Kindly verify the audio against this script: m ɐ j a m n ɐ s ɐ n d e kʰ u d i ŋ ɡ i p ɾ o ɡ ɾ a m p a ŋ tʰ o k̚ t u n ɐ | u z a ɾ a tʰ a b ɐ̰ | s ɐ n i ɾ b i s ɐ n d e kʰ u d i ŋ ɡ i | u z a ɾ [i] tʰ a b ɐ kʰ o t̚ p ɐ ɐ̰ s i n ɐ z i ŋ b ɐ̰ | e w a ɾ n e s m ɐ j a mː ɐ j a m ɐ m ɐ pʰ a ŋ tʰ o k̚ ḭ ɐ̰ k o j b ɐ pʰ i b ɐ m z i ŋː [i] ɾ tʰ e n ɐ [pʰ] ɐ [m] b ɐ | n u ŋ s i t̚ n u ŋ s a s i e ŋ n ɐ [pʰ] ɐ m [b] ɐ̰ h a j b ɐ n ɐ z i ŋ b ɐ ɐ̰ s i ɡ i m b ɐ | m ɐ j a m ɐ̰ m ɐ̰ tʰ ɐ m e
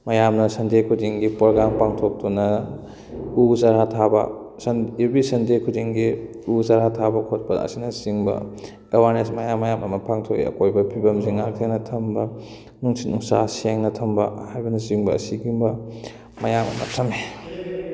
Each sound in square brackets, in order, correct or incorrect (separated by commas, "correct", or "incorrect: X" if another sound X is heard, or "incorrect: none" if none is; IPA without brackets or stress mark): incorrect: a, incorrect: a, incorrect: tʰ, correct, incorrect: tʰ, correct